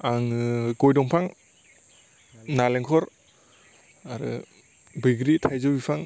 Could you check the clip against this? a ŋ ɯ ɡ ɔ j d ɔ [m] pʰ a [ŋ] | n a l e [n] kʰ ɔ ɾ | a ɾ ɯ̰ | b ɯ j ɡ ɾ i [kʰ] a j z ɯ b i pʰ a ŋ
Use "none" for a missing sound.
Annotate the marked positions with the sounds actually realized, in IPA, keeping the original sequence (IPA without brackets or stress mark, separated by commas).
ŋ, ŋ, ŋ, tʰ